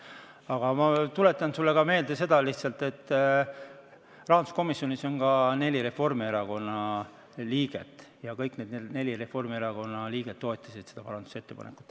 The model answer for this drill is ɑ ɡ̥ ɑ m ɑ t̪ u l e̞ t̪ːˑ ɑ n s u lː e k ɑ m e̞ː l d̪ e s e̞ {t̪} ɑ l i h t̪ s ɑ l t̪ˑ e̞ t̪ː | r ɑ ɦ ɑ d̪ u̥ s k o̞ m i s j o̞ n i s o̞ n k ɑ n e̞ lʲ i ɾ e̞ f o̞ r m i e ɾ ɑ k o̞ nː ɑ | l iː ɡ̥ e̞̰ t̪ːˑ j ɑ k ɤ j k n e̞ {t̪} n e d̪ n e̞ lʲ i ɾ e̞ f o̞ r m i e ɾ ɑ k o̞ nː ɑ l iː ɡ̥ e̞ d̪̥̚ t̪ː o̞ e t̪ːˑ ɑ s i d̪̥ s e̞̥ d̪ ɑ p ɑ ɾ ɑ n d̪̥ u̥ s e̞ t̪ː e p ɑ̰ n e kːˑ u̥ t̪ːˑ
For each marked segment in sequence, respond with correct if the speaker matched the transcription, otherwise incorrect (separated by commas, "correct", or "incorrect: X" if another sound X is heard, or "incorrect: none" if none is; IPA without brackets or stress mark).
incorrect: d̪, incorrect: d̪